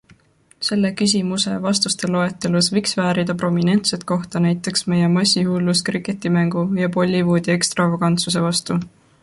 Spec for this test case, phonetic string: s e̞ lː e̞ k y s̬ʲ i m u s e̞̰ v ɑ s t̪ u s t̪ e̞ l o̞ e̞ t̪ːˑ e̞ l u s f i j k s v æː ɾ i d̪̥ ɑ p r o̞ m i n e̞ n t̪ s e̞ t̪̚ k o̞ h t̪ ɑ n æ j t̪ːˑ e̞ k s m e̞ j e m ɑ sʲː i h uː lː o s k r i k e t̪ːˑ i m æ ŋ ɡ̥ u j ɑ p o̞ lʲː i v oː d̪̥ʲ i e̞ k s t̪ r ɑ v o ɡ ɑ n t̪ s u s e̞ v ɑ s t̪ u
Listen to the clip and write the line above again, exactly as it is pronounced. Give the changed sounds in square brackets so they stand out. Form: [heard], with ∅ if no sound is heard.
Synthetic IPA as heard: s e̞ lː e̞ k y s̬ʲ i m u s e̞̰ v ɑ s t̪ u s t̪ e̞ l o̞ e̞ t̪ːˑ e̞ l u s [v] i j k s v æː ɾ i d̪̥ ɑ p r o̞ m i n e̞ n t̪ s e̞ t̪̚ k o̞ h t̪ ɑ n æ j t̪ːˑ e̞ k s m e̞ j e m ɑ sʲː i h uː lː [u] s k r i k e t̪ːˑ i m æ ŋ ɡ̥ u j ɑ p o̞ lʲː i v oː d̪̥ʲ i e̞ k s t̪ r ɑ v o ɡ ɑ n t̪ s u s e̞ v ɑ s t̪ u